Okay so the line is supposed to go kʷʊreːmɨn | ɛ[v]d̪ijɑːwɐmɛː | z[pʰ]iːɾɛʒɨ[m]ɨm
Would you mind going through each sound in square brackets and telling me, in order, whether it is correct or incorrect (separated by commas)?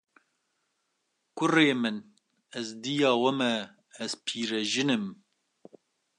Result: incorrect, correct, incorrect